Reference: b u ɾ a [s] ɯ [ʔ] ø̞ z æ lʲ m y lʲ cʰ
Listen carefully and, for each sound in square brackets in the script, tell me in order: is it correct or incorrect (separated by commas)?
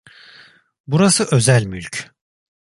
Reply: correct, correct